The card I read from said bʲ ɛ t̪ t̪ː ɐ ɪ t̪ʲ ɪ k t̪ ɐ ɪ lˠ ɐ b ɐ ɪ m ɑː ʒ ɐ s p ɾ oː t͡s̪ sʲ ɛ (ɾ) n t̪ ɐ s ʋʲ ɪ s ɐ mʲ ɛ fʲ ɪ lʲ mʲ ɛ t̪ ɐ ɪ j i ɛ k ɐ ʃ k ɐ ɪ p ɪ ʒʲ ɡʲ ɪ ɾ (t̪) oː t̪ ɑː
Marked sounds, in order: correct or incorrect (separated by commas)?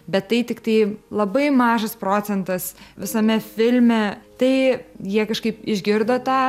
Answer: incorrect, incorrect